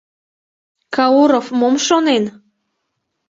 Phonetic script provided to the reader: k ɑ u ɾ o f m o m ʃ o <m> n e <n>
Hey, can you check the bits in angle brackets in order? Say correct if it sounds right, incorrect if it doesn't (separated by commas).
incorrect, correct